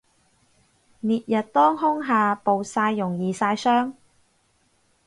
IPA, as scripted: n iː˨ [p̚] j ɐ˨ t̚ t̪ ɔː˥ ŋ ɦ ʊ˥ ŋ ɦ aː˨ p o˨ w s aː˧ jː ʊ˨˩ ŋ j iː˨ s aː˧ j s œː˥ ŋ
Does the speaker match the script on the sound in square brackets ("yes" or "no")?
no